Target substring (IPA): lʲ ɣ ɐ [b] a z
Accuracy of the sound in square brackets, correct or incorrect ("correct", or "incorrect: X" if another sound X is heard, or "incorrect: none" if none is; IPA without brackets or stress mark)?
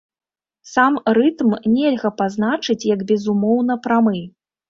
incorrect: p